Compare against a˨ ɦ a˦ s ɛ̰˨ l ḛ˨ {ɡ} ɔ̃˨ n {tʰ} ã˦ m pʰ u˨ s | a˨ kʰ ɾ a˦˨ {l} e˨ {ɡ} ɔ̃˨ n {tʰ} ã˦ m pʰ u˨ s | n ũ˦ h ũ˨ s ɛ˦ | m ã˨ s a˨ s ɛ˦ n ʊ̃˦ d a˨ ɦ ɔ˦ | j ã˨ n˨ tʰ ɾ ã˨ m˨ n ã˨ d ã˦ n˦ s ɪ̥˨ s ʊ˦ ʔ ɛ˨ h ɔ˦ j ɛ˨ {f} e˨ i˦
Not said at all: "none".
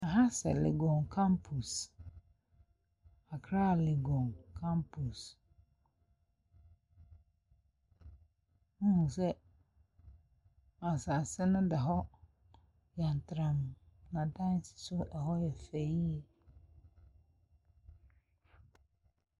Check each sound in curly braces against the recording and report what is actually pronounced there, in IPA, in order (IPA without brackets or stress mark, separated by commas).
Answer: ɡ, kʰ, l, ɡ, kʰ, f